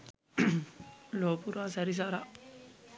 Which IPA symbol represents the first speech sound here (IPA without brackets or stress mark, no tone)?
l